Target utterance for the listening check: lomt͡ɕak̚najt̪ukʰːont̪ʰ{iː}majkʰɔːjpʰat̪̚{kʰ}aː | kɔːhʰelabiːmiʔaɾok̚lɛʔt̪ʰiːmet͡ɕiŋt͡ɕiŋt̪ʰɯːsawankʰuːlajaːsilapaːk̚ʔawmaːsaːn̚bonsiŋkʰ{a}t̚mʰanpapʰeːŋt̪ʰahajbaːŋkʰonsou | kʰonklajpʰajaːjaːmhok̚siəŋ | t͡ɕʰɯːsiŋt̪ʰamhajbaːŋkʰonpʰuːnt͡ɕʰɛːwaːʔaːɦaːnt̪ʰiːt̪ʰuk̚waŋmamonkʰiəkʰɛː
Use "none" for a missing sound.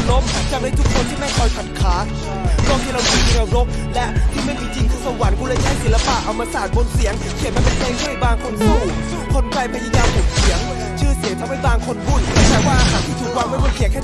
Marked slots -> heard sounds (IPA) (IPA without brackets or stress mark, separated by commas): iː, kʰ, i